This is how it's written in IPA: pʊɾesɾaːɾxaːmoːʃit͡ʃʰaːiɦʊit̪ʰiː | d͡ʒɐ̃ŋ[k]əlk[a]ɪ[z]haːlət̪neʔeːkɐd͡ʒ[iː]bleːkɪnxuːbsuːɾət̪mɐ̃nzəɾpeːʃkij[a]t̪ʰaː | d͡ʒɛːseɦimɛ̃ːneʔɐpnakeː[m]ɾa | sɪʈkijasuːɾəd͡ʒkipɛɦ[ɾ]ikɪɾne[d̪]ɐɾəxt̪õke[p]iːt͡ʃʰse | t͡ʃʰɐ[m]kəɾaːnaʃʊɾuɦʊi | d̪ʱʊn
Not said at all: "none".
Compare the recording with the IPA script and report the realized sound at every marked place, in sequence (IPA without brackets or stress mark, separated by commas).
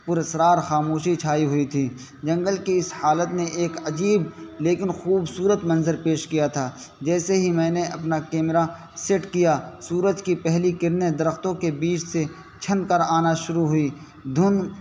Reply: ɡ, i, s, iː, a, m, l, d̪, b, n